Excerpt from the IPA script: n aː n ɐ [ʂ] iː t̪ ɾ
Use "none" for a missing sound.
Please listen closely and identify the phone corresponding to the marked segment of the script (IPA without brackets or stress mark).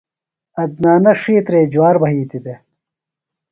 ʂ